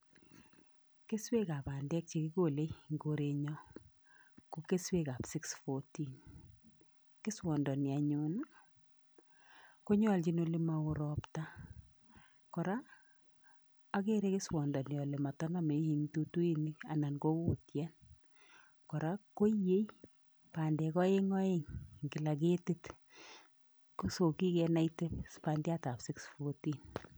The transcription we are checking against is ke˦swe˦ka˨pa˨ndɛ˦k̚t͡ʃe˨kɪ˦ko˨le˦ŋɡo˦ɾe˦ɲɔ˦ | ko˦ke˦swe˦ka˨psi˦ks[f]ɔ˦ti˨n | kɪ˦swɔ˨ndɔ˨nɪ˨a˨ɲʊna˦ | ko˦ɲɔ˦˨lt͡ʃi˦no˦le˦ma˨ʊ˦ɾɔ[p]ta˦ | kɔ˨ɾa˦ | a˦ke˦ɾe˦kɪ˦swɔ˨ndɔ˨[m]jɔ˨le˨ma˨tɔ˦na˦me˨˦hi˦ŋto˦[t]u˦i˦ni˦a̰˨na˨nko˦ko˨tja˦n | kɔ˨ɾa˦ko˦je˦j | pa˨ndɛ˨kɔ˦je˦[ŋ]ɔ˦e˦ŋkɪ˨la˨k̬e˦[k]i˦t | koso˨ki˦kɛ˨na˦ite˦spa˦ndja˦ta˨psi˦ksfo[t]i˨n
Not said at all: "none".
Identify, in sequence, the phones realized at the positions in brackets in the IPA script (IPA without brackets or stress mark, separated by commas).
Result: f, p, n, t, ŋ, t, t